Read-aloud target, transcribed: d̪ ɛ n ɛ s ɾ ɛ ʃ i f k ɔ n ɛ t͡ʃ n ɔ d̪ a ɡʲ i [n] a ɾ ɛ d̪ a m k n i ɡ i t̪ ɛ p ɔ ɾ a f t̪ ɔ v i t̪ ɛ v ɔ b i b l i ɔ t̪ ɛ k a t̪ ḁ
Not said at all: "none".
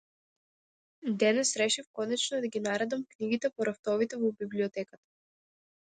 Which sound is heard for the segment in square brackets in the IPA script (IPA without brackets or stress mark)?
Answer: n